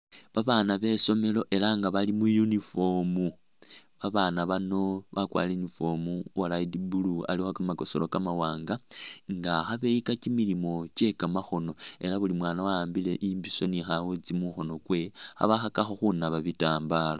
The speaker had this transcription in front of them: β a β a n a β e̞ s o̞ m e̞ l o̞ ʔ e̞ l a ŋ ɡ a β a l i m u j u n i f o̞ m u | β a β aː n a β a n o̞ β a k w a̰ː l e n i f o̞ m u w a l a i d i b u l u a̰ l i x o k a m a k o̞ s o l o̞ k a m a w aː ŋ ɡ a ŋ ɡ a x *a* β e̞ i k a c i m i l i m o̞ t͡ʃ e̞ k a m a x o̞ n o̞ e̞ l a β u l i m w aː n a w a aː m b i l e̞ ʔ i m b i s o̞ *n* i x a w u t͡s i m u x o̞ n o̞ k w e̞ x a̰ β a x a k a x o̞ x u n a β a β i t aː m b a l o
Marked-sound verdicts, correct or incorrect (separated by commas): correct, correct